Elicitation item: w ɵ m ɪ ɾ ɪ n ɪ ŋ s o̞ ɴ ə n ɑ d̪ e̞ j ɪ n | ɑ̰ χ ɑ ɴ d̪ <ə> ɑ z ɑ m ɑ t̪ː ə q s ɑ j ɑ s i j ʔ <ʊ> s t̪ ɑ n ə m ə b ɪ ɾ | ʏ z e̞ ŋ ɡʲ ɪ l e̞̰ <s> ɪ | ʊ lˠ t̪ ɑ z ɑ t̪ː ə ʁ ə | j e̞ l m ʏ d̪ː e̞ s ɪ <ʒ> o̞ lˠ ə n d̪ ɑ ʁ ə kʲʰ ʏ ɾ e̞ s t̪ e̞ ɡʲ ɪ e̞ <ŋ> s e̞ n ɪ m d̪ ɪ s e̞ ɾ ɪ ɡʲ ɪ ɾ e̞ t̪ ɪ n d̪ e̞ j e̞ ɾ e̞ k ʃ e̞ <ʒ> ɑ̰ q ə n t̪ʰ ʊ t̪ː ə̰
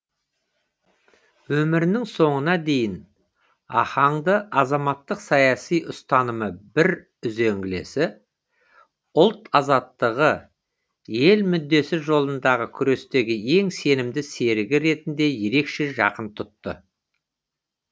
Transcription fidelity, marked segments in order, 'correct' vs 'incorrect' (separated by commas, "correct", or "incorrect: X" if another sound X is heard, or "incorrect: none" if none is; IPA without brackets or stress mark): correct, correct, correct, correct, correct, correct